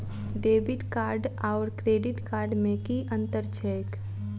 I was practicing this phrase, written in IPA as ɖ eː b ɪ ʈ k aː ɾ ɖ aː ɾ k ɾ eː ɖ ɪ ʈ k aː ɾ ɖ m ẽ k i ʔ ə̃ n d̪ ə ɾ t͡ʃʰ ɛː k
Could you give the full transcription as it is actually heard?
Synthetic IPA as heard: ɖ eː b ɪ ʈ k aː ɾ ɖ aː ɾ k ɾ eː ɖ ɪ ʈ k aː ɾ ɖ m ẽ k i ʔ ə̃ n t̪ ə ɾ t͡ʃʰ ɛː k

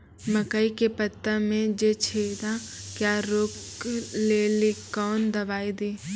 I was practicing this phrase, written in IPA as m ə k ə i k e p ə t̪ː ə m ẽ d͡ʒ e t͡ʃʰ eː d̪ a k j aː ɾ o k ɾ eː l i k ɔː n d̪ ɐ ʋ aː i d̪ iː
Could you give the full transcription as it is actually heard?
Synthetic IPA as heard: m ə k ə i k e p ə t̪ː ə m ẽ d͡ʒ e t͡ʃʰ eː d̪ a k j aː ɾ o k l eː l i k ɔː n d̪ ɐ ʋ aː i d̪ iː

